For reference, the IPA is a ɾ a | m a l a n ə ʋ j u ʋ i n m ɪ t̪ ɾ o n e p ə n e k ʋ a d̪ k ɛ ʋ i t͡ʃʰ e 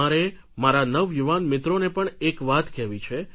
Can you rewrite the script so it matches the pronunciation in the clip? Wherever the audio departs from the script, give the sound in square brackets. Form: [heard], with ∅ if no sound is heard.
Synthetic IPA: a ɾ [e] | m a [ɾ] a n ə ʋ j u ʋ [a] n m ɪ t̪ ɾ o n e p ə [ɳ] e k ʋ a [t̪] k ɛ ʋ i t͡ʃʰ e